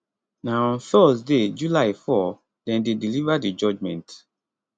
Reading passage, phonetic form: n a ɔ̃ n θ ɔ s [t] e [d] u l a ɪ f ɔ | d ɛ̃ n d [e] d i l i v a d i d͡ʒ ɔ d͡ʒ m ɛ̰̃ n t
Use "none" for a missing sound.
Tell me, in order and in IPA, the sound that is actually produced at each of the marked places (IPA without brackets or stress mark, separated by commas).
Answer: d, d͡ʒ, e